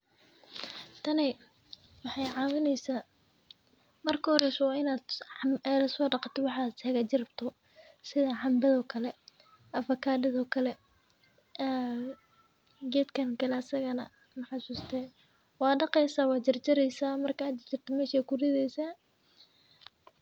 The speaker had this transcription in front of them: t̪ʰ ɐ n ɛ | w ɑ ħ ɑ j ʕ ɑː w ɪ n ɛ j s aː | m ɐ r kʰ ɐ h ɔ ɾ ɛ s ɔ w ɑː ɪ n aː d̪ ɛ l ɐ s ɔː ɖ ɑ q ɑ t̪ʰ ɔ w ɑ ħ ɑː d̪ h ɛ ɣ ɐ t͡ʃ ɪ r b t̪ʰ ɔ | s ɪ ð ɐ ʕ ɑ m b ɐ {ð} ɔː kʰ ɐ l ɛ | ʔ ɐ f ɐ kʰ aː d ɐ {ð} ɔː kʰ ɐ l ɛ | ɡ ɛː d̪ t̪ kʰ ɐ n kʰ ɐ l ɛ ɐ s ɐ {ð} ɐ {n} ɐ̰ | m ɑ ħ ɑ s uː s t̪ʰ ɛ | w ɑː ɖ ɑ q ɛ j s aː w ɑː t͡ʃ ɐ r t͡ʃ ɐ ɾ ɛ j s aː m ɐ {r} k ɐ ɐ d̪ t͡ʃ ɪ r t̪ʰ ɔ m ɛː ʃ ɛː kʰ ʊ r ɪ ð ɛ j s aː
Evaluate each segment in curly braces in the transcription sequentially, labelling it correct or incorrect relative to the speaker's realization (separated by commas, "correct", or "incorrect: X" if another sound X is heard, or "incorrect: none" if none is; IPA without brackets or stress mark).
correct, correct, incorrect: ɣ, correct, correct